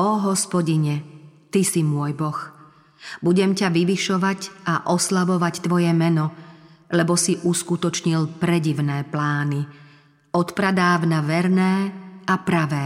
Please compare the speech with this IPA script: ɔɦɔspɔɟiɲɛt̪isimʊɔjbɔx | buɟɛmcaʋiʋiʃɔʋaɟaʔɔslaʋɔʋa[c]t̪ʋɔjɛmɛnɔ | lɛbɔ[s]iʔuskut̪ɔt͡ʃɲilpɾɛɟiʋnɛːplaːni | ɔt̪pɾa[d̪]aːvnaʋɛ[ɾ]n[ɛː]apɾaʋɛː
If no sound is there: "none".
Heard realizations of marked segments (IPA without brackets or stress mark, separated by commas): c, s, d̪, ɾ, ɛː